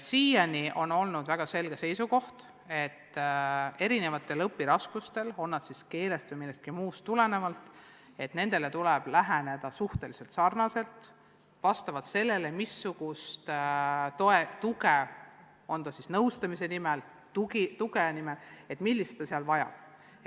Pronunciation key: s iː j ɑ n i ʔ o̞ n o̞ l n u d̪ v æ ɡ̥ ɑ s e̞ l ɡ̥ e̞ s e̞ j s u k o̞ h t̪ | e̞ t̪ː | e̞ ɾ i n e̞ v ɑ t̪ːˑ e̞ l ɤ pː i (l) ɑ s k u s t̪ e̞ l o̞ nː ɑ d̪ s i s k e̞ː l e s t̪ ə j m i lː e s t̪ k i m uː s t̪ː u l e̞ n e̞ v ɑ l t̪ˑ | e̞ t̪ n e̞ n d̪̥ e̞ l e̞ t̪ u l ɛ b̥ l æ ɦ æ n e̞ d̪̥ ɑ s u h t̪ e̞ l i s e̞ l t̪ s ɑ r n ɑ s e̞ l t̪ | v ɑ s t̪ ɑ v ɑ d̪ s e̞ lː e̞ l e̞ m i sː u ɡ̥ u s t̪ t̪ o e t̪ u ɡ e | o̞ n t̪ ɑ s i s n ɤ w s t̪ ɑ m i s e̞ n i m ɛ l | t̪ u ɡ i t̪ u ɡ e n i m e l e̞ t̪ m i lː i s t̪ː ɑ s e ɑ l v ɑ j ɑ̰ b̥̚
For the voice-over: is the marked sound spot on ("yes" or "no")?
no